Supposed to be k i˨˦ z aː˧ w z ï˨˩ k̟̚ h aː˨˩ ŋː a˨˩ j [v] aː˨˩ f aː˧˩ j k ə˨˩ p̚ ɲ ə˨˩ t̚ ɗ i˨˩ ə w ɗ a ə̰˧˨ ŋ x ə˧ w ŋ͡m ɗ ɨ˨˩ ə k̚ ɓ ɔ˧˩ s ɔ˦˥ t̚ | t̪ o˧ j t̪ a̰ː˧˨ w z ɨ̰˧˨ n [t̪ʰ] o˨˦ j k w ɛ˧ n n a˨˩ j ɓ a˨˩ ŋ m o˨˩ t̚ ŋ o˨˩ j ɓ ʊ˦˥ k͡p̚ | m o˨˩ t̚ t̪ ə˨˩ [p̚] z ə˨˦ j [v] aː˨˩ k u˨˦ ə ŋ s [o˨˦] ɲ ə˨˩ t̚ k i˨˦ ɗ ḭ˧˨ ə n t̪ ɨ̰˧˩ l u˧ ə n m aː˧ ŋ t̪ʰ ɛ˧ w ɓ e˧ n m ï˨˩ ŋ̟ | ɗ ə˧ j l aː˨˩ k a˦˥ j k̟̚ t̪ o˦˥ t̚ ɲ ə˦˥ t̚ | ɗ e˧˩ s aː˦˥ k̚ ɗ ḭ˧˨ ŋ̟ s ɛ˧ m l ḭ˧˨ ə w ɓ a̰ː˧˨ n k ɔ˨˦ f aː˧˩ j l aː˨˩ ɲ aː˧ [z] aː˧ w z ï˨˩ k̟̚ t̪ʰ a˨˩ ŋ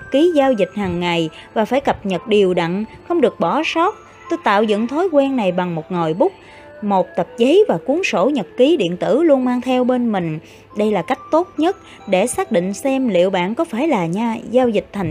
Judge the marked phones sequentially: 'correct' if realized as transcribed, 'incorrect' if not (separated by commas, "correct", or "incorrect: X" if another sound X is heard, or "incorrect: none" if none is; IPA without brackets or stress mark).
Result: correct, correct, correct, correct, incorrect: o˧˩, correct